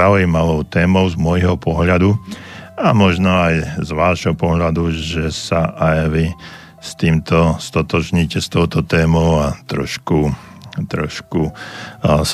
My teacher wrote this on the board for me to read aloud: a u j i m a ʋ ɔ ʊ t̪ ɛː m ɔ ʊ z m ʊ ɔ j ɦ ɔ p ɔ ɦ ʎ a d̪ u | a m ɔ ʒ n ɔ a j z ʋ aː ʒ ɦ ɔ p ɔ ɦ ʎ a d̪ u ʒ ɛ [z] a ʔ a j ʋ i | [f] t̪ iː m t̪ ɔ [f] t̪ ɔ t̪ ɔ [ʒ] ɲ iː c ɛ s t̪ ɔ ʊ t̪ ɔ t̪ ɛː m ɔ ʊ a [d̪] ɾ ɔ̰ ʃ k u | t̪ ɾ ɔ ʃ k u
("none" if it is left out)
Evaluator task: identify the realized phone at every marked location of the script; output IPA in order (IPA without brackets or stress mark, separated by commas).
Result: s, s, s, ʒ, t̪